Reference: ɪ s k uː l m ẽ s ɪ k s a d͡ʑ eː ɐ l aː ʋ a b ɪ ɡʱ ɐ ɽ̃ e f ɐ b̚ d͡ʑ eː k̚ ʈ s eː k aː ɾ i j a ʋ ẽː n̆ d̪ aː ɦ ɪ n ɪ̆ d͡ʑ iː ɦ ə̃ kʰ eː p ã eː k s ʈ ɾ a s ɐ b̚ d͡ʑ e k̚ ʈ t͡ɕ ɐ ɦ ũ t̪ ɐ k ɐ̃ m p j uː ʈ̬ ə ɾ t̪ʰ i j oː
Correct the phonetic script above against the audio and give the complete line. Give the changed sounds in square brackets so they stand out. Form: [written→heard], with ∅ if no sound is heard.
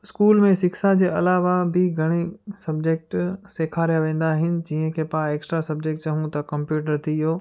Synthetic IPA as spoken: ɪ s k uː l m ẽ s ɪ k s a d͡ʑ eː ɐ l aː ʋ a b ɪ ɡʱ ɐ ɽ̃ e [f→s] ɐ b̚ d͡ʑ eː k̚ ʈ s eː [k→kʰ] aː ɾ i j a ʋ ẽː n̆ d̪ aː ɦ ɪ n ɪ̆ d͡ʑ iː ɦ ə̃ kʰ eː p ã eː k s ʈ ɾ a s ɐ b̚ d͡ʑ e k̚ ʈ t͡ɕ ɐ ɦ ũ t̪ ɐ k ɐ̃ m p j uː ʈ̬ ə ɾ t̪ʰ i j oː